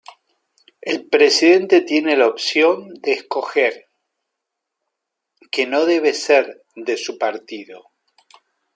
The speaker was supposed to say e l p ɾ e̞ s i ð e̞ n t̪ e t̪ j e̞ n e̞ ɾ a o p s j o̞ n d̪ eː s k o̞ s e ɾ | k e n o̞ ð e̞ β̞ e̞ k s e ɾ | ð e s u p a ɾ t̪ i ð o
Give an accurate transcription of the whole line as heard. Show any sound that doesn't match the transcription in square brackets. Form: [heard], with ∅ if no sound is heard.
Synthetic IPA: e l p ɾ e̞ s i ð e̞ n t̪ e t̪ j e̞ n e̞ [l] a o p s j o̞ n d̪ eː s k o̞ [x] e ɾ | k e n o̞ ð e̞ β̞ e̞ [∅] s e ɾ | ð e s u p a ɾ t̪ i ð o